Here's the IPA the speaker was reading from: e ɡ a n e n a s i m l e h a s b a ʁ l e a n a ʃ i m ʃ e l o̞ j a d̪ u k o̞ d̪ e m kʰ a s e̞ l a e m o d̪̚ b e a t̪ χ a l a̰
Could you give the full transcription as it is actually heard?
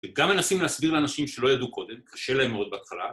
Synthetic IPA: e ɡ a m e n a s i m l e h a s b i ʁ l e a n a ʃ i m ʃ e l o̞ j a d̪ u k o̞ d̪ e m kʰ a ʃ e̞ l a e m o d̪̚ b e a t̪ χ a l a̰